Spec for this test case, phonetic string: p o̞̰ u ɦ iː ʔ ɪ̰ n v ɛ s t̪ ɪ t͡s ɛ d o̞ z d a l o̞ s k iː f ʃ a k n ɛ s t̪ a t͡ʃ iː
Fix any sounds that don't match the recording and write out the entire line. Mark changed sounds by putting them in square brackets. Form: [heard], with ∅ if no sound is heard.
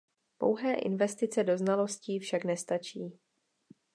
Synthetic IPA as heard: p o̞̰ [w] ɦ [ɛː] ʔ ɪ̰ n v ɛ s t̪ ɪ t͡s ɛ d o̞ z [n] a l o̞ s [c] iː f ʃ a k n ɛ s t̪ a t͡ʃ iː